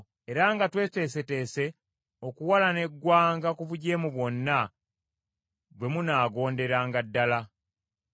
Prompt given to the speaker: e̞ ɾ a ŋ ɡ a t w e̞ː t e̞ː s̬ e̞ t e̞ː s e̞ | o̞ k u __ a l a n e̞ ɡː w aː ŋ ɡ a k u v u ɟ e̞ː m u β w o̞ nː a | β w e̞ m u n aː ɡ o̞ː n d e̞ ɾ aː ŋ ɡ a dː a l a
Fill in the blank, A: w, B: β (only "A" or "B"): A